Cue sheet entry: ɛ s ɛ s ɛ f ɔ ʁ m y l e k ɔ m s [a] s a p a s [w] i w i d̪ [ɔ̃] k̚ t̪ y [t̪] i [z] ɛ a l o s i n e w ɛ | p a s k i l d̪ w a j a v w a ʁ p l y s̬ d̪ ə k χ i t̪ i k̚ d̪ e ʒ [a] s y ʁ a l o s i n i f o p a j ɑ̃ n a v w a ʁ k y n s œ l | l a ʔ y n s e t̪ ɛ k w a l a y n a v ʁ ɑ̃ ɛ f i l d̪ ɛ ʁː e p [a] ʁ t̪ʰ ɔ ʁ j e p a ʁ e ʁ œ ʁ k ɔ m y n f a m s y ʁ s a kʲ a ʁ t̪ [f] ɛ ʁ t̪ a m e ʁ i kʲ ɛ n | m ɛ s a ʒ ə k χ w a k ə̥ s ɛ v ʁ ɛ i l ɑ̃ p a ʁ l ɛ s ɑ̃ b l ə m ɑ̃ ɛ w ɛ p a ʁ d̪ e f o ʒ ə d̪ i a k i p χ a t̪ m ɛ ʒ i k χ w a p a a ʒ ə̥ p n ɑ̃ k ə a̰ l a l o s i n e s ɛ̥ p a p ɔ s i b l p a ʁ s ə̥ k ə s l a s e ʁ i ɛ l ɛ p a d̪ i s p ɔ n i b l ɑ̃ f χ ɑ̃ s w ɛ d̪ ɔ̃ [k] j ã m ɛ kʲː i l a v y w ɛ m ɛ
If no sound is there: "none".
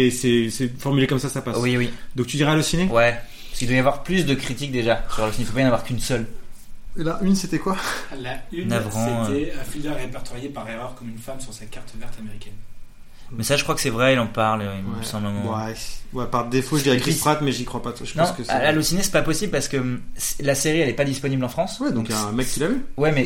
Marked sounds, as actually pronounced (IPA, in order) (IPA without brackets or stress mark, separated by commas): a, w, ɔ̃, d̪, ʁ, a, ɛ, v, k